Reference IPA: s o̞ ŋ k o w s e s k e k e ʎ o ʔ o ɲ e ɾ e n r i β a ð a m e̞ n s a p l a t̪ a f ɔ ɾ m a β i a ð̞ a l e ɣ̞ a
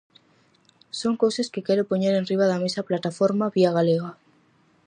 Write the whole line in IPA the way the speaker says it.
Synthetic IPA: s o̞ ŋ k o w s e s k e k e ɾ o p o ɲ e ɾ e n r i β a ð a m e̞ s a p l a t̪ a f o ɾ m a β i a ɣ̞ a l e ɣ̞ a